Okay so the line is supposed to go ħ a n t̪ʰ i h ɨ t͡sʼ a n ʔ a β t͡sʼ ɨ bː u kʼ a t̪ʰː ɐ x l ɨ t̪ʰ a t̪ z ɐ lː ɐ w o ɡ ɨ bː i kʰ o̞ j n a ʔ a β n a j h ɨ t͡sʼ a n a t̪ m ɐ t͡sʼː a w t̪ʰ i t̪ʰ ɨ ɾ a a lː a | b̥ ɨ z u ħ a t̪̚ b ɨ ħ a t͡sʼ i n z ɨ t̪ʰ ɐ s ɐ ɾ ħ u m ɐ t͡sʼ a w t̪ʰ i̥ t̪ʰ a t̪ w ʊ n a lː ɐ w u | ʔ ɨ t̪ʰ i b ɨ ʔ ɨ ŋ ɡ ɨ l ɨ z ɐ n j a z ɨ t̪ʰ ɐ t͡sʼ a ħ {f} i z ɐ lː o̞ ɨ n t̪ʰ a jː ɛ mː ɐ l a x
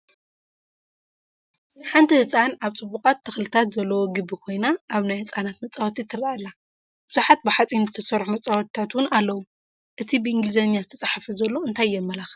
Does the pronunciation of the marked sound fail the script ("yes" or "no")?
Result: no